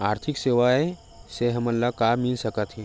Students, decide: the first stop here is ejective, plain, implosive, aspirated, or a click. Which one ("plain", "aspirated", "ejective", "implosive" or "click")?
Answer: aspirated